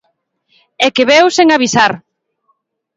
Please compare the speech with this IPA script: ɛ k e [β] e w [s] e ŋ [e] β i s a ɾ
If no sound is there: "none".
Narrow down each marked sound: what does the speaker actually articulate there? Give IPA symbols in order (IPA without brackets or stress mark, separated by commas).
β, s, a